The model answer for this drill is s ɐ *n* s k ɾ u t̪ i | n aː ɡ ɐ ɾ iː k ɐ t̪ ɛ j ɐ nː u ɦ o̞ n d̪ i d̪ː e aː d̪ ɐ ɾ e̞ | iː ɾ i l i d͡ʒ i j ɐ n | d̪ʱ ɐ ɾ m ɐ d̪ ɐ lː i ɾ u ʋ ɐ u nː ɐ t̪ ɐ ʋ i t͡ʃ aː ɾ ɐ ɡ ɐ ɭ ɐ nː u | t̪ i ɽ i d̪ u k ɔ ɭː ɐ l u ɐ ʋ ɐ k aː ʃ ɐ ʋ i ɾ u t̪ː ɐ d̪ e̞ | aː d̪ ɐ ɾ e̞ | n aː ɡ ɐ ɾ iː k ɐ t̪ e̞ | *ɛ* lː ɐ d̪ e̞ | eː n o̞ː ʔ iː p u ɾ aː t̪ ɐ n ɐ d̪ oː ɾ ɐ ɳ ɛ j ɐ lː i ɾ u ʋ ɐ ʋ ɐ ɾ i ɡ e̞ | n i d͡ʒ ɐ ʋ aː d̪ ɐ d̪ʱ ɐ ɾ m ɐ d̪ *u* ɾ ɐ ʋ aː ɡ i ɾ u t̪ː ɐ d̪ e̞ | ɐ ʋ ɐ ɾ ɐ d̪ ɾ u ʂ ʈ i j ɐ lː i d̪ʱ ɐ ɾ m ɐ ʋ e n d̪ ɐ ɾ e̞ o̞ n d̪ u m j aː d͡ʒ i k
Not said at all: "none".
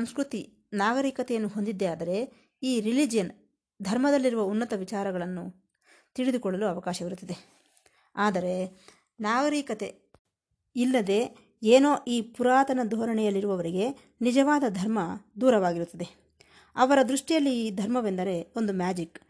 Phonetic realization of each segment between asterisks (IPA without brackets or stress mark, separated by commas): m, i, uː